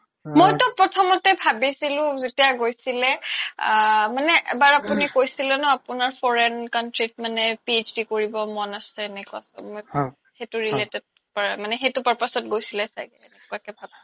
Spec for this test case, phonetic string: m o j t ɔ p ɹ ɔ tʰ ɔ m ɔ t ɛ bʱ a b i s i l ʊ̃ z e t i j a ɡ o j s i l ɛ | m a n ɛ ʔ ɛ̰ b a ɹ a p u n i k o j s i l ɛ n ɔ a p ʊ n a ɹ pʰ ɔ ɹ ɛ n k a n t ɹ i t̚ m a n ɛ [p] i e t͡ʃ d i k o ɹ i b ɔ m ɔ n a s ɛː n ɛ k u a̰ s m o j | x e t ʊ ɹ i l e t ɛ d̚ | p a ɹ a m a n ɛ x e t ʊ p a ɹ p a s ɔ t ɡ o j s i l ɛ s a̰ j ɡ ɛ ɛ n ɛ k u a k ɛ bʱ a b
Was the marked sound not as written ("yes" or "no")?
no